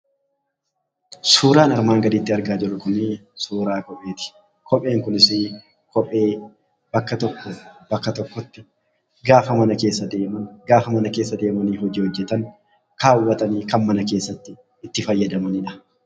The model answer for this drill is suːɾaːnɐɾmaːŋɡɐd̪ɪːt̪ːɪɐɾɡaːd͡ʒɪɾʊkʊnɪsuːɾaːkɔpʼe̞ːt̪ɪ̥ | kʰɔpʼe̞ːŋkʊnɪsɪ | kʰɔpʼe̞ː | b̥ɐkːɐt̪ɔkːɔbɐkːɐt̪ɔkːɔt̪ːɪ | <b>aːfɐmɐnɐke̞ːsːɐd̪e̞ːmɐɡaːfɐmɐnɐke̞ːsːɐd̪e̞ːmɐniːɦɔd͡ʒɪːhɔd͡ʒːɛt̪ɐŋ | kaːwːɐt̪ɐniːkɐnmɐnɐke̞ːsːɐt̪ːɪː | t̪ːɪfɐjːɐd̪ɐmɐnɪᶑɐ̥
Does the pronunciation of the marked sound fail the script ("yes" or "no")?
yes